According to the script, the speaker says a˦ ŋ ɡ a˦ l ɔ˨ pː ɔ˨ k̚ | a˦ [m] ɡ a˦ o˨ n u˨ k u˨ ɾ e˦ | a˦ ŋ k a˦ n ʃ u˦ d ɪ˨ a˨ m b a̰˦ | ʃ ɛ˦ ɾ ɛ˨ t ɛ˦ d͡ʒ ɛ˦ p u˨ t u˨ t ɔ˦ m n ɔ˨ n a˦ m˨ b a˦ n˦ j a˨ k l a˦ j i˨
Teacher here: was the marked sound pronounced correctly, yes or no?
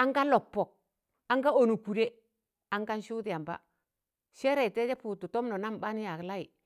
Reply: no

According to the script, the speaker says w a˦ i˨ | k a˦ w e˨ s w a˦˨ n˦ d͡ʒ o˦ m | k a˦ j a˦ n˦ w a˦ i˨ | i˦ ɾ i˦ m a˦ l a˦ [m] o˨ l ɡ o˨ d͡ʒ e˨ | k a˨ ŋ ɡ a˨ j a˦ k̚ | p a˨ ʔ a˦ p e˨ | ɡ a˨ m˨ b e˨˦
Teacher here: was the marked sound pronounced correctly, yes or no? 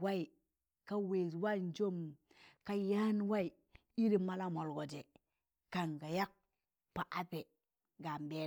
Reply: yes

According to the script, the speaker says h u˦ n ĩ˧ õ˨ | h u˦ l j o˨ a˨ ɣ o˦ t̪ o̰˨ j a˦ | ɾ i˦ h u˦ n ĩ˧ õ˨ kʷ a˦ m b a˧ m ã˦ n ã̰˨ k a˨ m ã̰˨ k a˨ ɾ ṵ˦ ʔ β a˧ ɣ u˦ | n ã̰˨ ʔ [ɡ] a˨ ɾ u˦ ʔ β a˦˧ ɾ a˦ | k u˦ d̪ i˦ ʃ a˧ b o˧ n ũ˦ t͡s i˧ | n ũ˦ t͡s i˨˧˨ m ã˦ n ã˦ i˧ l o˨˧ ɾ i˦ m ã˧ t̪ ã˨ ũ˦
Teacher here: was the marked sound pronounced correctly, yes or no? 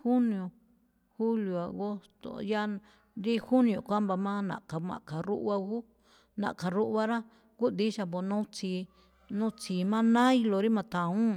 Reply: no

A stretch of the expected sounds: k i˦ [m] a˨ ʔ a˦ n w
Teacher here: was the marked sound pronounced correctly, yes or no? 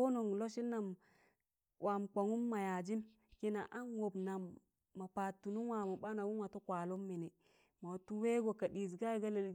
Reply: no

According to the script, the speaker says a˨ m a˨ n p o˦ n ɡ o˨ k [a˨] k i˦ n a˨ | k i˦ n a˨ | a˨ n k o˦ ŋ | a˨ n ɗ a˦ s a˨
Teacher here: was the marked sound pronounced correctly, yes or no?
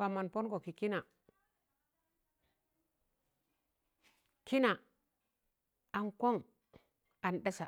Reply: no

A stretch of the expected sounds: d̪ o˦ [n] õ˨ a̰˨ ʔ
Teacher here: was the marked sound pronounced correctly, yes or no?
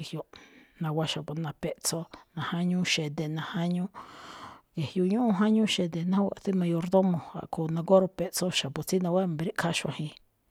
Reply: no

